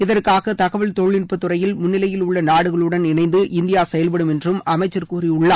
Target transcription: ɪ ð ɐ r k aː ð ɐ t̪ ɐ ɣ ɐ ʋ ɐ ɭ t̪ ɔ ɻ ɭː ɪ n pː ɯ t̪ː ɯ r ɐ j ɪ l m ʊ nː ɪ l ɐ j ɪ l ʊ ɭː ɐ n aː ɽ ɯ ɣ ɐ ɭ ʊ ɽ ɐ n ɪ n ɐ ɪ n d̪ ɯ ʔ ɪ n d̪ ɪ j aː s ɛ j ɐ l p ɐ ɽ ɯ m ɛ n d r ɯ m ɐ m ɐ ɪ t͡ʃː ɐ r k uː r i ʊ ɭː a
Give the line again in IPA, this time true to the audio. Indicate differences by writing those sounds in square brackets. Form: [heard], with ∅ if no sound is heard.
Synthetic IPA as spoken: ɪ ð ɐ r k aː [ɣ] ɐ t̪ ɐ ɣ ɐ ʋ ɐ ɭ t̪ ɔ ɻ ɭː ɪ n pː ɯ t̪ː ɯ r ɐ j ɪ l m ʊ nː ɪ l ɐ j ɪ l ʊ ɭː ɐ n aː ɽ ɯ ɣ ɐ ɭ [ɯ] ɽ ɐ n ɪ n ɐ ɪ n d̪ ɯ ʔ ɪ n d̪ ɪ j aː s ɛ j ɐ l p ɐ ɽ ɯ m ɛ n d r ɯ m ɐ m ɐ ɪ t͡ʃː ɐ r k uː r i ʊ ɭː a